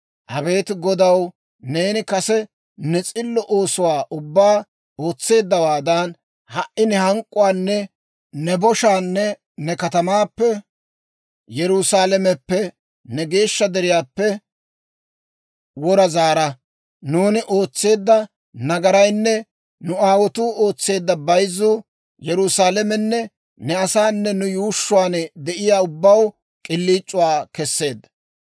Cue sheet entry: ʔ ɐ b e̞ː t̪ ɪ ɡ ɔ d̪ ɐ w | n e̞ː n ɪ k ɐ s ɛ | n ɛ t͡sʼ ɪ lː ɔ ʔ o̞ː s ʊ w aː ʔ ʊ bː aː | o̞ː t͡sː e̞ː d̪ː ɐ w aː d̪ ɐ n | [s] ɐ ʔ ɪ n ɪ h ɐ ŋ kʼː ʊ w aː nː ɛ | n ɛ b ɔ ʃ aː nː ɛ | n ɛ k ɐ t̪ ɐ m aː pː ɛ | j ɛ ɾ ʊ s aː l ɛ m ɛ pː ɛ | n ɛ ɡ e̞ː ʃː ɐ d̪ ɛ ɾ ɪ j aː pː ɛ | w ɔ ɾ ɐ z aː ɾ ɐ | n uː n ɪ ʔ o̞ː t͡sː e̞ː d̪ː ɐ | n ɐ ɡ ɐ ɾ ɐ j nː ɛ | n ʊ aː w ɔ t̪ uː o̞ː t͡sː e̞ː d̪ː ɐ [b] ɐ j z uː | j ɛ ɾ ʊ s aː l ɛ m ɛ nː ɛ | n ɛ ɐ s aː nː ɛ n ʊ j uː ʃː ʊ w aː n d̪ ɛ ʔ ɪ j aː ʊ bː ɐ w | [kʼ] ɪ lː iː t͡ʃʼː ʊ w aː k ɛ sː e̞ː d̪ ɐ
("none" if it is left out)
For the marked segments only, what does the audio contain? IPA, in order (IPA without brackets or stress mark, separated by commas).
h, b, kʼ